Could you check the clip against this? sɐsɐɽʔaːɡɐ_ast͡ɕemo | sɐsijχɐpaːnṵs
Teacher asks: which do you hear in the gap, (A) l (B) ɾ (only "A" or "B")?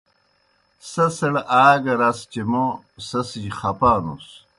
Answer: B